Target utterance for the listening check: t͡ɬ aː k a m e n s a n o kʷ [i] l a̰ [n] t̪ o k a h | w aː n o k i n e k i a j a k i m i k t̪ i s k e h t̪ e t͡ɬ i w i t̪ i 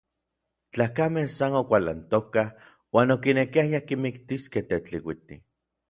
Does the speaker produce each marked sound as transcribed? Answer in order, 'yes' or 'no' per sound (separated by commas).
no, yes